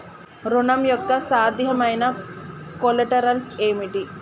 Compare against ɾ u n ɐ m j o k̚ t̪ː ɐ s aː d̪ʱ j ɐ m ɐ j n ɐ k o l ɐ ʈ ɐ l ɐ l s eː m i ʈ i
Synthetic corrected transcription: ɾ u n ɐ m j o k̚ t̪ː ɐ s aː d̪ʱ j ɐ m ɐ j n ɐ k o l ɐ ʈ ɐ ɾ ɐ l s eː m i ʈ i